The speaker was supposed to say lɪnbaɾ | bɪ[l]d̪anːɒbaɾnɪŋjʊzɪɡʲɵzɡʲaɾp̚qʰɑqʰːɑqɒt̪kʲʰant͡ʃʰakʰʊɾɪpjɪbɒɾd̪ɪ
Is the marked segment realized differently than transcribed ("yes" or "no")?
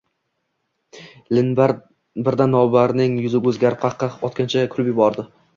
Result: yes